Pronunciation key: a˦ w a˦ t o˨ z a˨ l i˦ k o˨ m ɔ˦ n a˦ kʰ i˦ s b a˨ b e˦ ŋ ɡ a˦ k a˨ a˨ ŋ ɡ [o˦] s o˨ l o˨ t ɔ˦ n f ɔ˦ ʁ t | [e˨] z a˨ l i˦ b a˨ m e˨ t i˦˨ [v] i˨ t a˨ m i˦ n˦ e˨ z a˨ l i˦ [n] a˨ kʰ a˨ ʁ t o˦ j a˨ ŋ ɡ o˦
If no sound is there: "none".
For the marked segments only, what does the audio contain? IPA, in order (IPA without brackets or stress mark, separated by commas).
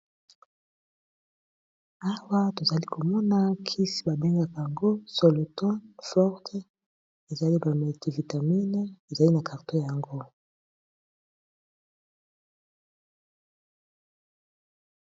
o˦, e˨, v, n